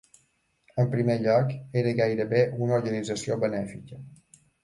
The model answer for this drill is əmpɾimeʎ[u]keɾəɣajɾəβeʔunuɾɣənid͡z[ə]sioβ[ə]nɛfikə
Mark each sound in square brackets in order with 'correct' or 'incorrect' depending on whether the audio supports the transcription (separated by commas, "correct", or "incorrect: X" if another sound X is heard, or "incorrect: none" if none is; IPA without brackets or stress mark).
incorrect: ɔ, correct, correct